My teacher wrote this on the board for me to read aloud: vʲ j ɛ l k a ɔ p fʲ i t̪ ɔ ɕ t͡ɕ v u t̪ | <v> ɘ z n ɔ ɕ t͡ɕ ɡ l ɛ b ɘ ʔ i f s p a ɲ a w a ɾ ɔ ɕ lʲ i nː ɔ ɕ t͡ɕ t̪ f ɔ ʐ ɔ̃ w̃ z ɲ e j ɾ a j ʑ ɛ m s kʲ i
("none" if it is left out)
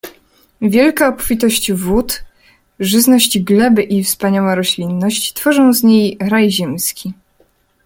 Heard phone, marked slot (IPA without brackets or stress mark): ʐ